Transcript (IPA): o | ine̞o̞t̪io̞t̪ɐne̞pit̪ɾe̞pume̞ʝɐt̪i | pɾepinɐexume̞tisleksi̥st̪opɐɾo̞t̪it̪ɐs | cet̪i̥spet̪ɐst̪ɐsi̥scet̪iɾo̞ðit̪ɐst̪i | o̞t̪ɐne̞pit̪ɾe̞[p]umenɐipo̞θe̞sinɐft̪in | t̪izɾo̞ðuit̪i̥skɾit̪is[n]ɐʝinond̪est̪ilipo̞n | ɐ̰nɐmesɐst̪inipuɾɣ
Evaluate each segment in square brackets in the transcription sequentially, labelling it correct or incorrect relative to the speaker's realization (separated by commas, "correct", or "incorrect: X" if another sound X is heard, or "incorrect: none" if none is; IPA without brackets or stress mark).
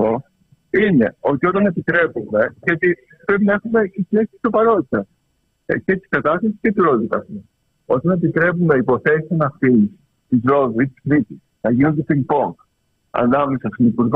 correct, correct